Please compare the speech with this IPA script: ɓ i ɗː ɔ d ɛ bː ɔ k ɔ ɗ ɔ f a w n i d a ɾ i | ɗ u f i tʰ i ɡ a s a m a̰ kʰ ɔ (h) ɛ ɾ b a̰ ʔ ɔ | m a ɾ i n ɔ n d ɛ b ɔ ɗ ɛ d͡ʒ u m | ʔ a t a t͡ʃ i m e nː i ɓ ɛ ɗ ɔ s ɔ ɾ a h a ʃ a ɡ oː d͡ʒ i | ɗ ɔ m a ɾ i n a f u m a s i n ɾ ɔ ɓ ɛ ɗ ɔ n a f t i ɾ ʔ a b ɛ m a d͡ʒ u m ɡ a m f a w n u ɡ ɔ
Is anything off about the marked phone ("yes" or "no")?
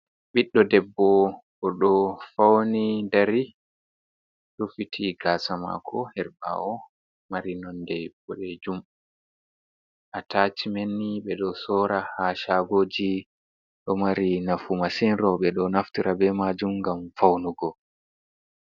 no